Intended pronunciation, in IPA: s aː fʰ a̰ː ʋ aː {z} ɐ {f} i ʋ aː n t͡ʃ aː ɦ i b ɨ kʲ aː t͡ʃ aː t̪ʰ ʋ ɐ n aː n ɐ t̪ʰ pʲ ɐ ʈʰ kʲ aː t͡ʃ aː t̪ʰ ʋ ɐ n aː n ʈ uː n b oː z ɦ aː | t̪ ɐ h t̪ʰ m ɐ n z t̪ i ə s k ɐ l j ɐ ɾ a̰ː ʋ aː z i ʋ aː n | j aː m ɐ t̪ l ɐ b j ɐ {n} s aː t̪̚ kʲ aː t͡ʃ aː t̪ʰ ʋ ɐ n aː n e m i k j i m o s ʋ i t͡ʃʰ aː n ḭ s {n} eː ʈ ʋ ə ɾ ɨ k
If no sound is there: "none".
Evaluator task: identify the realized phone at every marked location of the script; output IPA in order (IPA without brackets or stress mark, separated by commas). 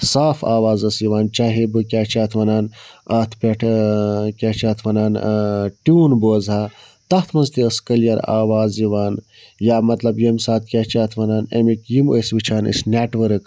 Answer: z, s, m, n